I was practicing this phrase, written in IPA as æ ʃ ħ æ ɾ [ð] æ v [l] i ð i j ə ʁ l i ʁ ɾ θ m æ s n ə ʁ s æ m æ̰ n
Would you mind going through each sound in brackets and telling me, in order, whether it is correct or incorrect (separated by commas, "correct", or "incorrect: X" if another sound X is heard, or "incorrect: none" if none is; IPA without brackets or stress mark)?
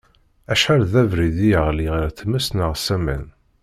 correct, incorrect: ɾ